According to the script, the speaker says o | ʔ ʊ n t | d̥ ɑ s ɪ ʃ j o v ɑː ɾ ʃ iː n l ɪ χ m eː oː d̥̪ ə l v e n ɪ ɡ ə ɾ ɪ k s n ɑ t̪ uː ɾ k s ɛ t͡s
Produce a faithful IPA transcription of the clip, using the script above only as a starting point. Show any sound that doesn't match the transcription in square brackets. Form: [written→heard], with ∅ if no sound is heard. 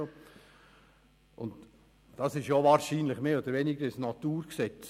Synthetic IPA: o | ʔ ʊ n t | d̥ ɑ s ɪ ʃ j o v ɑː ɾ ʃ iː n l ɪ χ m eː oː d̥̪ ə [l→ɾ] v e n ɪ ɡ ə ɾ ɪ [k→∅] s n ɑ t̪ uː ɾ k s ɛ t͡s